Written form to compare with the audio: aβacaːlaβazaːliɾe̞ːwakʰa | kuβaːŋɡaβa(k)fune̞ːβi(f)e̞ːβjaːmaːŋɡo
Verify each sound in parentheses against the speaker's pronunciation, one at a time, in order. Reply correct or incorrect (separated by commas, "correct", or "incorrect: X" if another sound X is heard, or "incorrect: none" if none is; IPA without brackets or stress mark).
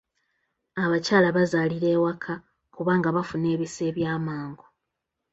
incorrect: none, incorrect: s